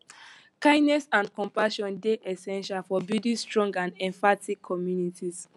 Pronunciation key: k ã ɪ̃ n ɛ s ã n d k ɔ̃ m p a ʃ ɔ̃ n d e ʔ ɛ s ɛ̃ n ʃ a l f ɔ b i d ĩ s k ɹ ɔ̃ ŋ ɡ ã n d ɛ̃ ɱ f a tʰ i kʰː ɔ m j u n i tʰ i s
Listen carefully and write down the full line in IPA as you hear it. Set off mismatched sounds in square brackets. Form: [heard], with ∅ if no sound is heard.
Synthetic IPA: k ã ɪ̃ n ɛ s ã n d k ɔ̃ m p a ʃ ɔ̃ n d e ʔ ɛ s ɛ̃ n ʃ a l f ɔ b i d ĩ s [t] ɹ ɔ̃ ŋ ɡ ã n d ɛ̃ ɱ f a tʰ i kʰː ɔ m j u n i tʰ i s